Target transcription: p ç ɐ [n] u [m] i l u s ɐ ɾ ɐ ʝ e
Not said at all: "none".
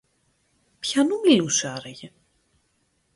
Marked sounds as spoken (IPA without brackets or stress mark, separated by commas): n, m